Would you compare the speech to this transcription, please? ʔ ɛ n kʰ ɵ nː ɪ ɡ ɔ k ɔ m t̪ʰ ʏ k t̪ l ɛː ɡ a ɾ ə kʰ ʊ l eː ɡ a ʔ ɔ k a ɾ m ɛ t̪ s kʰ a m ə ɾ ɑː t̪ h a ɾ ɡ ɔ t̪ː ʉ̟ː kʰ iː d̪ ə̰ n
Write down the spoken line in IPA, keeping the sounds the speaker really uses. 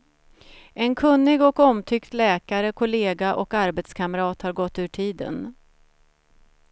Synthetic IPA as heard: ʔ ɛ n kʰ ɵ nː ɪ ɡ ɔ k ɔ m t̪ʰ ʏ k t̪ l ɛː k a ɾ ə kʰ ʊ l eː ɡ a ʔ ɔ k a ɾ b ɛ t̪ s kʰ a m ə ɾ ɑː t̪ h a ɾ ɡ ɔ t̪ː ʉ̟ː ʈʰ iː d̪ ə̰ n